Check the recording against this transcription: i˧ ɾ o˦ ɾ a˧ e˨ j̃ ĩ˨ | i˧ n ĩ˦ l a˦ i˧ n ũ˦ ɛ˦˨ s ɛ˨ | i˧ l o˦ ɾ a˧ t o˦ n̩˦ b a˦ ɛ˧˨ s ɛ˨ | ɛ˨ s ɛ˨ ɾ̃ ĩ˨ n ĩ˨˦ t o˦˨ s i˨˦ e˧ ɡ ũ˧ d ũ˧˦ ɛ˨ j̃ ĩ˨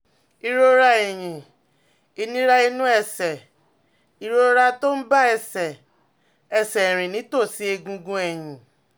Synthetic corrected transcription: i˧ ɾ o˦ ɾ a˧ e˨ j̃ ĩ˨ | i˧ n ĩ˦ ɾ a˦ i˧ n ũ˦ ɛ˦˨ s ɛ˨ | i˧ ɾ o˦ ɾ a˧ t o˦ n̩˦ b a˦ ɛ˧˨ s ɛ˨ | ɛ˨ s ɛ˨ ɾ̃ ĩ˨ n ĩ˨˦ t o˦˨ s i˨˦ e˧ ɡ ũ˧ ɡ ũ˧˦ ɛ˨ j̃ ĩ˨